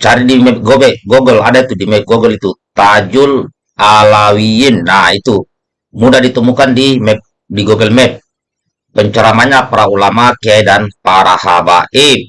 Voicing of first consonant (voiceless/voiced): voiceless